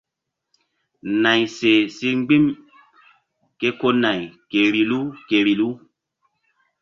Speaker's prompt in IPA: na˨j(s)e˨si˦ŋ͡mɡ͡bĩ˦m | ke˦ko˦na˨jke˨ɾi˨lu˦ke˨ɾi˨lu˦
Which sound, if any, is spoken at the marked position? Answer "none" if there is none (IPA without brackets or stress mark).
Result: s